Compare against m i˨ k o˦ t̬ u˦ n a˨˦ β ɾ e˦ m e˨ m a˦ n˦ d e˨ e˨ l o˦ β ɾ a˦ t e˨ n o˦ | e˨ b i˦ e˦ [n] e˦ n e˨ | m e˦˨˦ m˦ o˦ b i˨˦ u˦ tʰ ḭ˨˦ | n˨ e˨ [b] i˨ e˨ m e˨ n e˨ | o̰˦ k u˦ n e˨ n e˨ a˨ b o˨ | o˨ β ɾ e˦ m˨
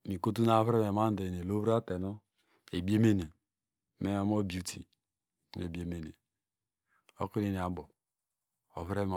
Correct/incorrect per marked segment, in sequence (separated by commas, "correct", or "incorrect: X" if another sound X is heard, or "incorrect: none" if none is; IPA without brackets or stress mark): incorrect: m, correct